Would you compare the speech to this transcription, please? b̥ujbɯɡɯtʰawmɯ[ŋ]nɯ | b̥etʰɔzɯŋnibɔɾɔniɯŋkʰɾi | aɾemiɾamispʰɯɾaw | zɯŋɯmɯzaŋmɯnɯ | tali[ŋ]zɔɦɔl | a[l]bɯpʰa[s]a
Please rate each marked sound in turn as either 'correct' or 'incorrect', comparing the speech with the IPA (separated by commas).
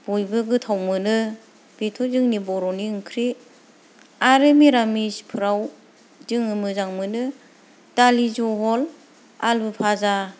incorrect, incorrect, correct, incorrect